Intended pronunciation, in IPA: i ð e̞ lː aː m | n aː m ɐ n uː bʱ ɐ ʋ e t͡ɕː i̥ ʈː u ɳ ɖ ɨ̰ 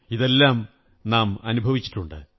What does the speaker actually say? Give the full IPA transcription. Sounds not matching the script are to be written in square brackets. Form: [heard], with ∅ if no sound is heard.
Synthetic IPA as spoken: i ð e̞ lː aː m | n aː m ɐ n [u] bʱ ɐ ʋ [i] t͡ɕː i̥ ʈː u ɳ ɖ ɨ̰